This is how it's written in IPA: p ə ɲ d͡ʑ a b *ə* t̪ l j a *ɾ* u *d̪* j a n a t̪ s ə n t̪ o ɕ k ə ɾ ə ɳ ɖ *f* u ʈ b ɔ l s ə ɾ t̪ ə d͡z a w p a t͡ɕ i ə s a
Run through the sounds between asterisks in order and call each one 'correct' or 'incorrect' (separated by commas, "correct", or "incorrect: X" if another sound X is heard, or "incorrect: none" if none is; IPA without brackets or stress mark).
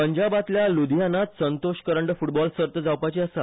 incorrect: a, incorrect: l, correct, correct